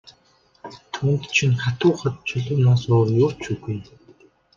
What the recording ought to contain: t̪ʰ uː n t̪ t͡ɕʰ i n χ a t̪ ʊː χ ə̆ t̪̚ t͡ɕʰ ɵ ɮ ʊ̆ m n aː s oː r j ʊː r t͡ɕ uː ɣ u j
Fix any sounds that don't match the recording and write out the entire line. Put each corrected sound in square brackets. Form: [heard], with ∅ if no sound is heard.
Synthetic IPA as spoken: t̪ʰ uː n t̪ t͡ɕʰ i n χ a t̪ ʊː χ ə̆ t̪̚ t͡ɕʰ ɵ ɮ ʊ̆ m n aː s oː r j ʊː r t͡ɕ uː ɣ u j